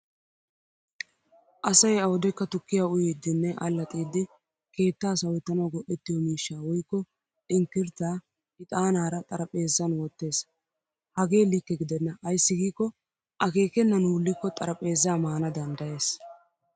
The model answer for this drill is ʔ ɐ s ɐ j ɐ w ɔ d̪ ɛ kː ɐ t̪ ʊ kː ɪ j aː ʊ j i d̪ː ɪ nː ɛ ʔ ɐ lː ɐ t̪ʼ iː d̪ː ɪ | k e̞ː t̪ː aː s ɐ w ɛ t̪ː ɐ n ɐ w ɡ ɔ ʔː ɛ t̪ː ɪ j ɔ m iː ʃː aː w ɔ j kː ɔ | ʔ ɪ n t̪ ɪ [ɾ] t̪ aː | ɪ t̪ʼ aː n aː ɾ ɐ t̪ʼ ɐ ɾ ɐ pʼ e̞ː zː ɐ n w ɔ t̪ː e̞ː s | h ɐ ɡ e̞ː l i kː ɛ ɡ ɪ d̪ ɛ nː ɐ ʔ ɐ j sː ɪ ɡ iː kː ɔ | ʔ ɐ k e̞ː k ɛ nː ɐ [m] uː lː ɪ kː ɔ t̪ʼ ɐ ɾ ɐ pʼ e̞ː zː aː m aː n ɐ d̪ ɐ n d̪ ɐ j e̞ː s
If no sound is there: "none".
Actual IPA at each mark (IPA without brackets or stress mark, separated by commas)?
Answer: ɾ, n